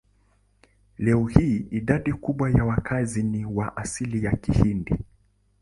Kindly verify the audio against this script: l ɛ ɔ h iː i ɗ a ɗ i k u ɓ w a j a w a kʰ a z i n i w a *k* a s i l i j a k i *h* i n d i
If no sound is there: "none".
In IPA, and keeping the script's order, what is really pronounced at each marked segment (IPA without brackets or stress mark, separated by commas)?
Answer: ʔ, h